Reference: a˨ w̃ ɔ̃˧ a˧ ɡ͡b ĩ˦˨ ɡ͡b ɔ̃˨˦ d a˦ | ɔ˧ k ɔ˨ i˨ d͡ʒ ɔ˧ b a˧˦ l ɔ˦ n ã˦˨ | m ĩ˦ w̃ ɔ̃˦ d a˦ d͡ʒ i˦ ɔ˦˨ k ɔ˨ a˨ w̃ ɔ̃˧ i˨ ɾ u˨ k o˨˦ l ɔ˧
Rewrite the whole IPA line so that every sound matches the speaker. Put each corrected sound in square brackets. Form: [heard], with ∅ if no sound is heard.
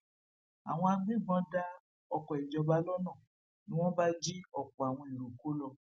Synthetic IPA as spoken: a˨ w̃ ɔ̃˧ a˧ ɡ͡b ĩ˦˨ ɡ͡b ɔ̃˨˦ d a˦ | ɔ˧ k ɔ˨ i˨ d͡ʒ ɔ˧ b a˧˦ l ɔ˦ n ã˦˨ | [n] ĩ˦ w̃ ɔ̃˦ [b] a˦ d͡ʒ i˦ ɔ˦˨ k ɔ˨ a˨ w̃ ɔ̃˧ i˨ ɾ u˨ k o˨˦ l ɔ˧